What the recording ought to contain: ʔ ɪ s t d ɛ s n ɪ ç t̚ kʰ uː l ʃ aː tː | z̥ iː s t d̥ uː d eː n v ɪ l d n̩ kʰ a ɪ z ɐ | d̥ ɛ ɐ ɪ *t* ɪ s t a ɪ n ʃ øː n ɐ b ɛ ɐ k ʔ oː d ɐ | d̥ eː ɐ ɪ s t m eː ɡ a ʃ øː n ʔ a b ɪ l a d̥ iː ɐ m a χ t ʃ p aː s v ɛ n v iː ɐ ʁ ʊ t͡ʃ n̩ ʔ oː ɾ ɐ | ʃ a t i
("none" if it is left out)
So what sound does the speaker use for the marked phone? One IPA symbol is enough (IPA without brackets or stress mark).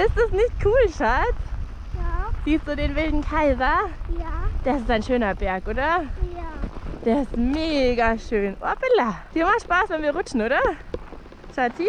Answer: s